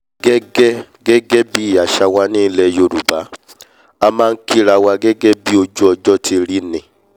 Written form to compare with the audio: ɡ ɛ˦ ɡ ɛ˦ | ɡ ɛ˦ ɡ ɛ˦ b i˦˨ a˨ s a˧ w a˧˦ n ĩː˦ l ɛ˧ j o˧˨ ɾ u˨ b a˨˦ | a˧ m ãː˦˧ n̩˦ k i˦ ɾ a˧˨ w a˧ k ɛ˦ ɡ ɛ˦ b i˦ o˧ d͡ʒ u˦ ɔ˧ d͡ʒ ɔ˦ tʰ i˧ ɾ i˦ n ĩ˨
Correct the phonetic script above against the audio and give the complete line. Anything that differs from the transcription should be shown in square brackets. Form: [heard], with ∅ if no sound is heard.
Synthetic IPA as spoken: ɡ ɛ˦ ɡ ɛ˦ | ɡ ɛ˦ ɡ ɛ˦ b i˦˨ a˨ [ʃ] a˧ w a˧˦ n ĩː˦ l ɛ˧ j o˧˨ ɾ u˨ b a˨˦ | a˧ m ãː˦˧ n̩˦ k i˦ ɾ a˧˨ w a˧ [ɡ] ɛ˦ ɡ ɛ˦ b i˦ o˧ d͡ʒ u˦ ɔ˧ d͡ʒ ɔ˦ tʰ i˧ ɾ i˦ n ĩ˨